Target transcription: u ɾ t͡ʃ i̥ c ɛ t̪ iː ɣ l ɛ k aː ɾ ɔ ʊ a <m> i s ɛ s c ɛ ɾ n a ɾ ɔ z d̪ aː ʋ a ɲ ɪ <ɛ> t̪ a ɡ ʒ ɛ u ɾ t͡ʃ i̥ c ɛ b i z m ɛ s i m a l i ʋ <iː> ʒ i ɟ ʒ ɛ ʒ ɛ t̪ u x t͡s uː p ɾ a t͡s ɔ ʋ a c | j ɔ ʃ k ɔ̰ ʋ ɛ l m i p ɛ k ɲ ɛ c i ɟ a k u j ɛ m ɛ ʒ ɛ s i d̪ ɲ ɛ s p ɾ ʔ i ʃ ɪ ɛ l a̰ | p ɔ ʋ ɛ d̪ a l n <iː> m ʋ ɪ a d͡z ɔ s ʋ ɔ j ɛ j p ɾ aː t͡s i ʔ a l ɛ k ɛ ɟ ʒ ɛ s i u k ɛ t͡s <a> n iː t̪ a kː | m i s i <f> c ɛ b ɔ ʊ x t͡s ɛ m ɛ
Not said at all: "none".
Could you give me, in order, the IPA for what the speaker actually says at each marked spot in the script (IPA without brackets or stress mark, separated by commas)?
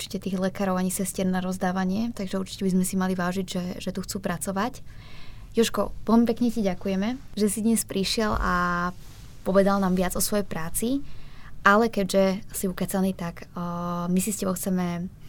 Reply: ɲ, ɛ, aː, aː, a, s